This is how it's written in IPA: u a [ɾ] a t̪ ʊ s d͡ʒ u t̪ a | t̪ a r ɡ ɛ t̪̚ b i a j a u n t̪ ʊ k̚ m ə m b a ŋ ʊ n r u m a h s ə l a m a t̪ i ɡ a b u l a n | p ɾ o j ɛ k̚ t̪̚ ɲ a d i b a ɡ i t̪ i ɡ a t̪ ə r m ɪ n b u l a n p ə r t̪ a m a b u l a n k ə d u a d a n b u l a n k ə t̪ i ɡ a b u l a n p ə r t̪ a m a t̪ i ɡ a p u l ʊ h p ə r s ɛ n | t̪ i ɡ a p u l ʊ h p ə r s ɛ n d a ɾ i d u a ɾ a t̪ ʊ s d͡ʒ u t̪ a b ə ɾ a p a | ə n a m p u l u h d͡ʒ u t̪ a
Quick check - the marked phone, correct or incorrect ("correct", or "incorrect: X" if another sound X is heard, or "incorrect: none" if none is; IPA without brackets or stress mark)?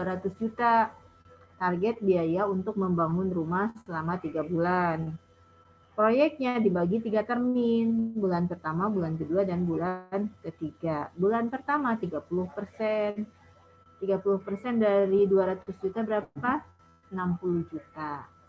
correct